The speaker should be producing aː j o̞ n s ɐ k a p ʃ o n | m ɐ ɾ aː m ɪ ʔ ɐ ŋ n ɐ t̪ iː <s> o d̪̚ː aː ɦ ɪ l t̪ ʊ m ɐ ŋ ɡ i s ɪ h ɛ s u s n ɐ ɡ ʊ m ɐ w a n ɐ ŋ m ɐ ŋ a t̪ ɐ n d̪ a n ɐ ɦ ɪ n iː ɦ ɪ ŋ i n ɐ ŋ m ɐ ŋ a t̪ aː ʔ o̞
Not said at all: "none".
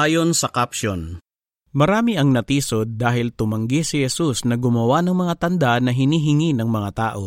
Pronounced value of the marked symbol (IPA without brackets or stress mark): s